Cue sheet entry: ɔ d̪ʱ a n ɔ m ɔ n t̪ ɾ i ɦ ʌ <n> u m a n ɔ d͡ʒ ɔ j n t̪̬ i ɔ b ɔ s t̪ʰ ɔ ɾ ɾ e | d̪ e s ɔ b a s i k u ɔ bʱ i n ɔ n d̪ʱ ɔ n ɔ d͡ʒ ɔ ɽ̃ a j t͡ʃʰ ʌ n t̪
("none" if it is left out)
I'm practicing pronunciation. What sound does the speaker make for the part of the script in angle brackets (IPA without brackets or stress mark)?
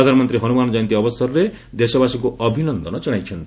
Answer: n